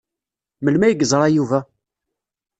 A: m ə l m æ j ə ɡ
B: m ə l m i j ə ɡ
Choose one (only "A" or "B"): A